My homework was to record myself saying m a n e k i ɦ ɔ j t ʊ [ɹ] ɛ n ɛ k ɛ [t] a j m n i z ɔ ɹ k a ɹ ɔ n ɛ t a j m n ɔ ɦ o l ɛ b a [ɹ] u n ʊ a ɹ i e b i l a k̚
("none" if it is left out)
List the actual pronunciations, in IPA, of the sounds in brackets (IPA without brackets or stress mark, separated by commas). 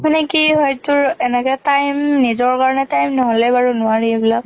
ɹ, t, ɹ